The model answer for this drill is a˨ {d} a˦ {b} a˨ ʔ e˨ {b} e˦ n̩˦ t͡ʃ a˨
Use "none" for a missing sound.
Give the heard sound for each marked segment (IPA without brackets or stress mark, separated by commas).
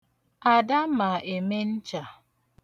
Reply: d, m, m